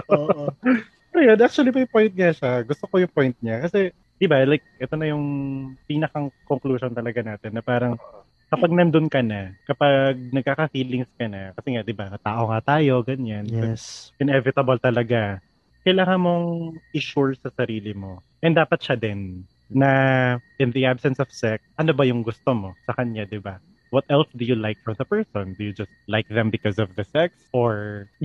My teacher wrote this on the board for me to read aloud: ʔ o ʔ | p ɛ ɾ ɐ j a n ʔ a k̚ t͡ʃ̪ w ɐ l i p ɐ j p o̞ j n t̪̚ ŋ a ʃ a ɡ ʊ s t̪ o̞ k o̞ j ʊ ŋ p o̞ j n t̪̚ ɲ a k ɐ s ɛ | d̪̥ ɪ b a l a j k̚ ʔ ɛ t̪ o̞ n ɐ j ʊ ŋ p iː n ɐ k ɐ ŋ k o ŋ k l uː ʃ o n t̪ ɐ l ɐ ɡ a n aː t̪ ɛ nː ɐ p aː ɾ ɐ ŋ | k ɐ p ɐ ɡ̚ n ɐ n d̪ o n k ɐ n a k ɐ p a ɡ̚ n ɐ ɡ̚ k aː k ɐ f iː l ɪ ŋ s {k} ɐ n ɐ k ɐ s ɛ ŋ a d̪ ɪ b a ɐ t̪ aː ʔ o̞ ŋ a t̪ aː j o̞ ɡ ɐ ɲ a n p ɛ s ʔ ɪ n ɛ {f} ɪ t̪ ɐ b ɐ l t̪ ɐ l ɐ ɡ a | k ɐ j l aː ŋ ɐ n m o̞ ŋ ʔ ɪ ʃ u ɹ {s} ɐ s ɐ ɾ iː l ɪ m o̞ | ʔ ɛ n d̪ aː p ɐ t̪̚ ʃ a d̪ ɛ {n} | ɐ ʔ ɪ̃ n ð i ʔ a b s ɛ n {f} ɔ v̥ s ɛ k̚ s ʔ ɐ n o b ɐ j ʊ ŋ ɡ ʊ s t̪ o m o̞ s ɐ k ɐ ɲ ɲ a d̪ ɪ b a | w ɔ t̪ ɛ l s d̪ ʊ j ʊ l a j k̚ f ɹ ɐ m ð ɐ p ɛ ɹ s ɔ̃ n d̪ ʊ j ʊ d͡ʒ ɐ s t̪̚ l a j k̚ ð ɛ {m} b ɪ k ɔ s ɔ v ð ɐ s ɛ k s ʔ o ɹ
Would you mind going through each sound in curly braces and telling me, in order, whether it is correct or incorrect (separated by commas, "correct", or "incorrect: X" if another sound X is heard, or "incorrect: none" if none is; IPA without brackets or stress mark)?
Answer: correct, incorrect: v, correct, incorrect: nː, incorrect: s, correct